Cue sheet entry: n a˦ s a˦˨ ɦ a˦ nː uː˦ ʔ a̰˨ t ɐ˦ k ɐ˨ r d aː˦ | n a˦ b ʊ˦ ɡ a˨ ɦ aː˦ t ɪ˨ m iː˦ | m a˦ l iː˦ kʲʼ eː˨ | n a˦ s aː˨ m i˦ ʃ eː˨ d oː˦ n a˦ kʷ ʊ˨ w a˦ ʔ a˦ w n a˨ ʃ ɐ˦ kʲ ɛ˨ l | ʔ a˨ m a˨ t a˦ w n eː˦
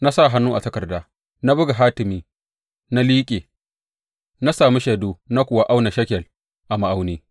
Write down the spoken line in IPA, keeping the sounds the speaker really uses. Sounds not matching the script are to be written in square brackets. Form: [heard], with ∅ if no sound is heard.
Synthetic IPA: n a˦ s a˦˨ ɦ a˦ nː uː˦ ʔ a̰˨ t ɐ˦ k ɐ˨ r d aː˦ | n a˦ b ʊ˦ ɡ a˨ ɦ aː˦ t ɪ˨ m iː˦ | [n] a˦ l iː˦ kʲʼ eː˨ | n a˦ s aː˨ m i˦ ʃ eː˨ d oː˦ n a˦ kʷ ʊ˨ w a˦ ʔ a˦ w n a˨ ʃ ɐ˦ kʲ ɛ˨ l | ʔ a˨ m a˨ [ʔ] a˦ w n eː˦

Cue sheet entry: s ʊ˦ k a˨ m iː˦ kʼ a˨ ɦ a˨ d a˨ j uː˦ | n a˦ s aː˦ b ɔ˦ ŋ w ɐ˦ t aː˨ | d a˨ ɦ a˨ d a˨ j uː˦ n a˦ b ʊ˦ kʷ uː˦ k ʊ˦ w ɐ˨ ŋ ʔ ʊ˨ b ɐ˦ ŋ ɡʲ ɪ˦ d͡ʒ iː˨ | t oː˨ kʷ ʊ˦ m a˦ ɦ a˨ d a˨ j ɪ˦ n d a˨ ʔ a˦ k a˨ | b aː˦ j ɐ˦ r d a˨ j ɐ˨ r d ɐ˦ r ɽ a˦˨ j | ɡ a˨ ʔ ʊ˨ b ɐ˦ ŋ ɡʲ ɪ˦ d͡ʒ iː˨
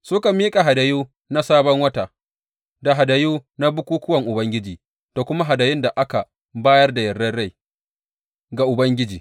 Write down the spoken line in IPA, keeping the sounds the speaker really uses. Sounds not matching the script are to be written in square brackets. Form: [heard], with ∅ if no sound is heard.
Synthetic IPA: s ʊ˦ k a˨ m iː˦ kʼ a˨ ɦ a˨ d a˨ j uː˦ | n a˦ s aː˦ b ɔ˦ ŋ w ɐ˦ t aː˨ | d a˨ ɦ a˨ d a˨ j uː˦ n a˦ b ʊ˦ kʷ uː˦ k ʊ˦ w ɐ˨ ŋ ʔ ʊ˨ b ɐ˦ ŋ ɡʲ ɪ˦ d͡ʒ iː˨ | t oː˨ kʷ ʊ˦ m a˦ ɦ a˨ d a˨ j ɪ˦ n d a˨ ʔ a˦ k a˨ | b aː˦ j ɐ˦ r d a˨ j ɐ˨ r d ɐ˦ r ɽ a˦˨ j | ɡ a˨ ʔ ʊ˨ b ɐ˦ ŋ ɡʲ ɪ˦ d͡ʒ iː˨

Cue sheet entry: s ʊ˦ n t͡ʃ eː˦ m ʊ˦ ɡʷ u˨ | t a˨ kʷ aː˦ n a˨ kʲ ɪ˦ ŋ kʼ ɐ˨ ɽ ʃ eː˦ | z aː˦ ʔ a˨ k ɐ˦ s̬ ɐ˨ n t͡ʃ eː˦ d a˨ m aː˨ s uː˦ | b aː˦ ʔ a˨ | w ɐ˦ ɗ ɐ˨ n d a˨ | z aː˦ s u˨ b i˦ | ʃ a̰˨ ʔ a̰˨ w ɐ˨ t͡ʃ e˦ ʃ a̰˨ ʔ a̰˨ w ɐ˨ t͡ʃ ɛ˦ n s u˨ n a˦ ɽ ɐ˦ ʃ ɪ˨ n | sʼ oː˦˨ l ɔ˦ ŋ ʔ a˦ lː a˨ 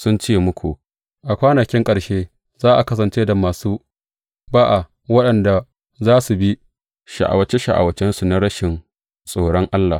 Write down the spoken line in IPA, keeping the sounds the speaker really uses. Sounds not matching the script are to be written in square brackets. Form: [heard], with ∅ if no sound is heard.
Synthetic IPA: s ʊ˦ n t͡ʃ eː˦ m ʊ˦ [kʷ] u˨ | [ʔ] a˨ kʷ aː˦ n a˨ kʲ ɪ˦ ŋ kʼ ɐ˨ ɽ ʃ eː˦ | z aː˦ ʔ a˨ k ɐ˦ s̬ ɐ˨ n t͡ʃ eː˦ d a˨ m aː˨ s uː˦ | b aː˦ ʔ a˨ | w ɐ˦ ɗ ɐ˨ n d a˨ | z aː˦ s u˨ b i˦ | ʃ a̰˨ ʔ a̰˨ w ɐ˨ t͡ʃ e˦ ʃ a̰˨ ʔ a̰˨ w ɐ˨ t͡ʃ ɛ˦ n s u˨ n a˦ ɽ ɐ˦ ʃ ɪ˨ n | sʼ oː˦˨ [ɽ] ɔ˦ ŋ ʔ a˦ lː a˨

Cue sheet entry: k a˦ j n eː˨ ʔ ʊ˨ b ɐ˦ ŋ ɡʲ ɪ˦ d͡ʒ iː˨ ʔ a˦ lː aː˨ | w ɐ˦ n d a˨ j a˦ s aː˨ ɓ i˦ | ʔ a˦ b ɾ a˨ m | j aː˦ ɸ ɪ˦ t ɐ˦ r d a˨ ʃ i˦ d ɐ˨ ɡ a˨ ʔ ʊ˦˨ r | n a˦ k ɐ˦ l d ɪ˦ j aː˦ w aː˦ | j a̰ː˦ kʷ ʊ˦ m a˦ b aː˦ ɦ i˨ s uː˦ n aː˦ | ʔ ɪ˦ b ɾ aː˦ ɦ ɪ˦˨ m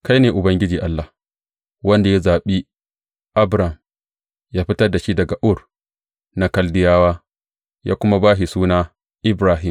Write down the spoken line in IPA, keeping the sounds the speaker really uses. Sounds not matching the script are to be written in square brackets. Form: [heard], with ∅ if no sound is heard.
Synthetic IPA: k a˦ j n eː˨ ʔ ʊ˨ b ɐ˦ ŋ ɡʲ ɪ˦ d͡ʒ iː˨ ʔ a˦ lː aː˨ | w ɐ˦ n d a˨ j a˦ [z] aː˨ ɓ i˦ | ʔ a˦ b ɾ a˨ m | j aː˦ ɸ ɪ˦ t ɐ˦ r d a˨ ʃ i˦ d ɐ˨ ɡ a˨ ʔ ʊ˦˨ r | n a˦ k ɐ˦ l d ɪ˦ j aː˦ w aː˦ | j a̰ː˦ kʷ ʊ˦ m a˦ b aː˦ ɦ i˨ s uː˦ n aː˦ | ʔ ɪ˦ b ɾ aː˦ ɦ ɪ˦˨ m

